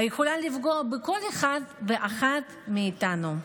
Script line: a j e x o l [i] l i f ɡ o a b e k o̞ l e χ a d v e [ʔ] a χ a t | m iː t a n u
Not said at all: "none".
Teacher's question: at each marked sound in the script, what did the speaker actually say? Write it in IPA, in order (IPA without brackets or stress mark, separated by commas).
a, ʔ